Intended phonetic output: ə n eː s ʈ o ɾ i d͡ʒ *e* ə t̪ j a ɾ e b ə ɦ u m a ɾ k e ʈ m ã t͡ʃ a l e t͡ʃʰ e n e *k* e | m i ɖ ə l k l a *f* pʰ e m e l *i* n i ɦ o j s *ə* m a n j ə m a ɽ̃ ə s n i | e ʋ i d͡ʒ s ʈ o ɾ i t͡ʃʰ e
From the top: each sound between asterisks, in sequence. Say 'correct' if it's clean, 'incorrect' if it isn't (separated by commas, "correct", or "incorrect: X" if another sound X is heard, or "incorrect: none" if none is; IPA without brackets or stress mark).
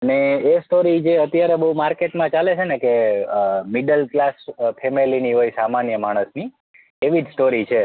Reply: correct, correct, incorrect: s, correct, incorrect: a